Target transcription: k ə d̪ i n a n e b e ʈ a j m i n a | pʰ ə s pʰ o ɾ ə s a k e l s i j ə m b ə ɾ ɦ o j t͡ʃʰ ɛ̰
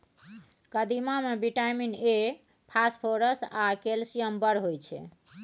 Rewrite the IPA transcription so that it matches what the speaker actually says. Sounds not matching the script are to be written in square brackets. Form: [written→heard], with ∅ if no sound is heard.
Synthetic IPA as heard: k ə d̪ i [n→m] a [n→m] e b [e→i] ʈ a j m i n [a→e] | pʰ [ə→a] s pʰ o ɾ ə s a k e l s i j ə m b ə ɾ ɦ o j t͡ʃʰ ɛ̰